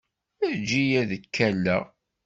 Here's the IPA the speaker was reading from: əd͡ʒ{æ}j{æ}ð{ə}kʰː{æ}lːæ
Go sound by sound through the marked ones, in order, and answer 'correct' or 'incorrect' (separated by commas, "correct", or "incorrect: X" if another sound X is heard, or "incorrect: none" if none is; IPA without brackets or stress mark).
incorrect: i, correct, correct, correct